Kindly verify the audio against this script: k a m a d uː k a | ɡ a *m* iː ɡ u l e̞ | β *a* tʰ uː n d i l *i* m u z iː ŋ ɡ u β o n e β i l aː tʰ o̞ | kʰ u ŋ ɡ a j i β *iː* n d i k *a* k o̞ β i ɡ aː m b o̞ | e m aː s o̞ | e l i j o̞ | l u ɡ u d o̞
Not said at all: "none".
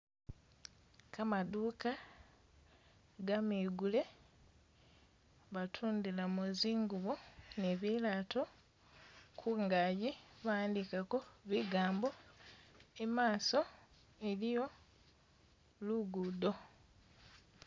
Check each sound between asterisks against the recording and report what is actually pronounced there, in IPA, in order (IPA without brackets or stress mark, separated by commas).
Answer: m, a, a, aː, a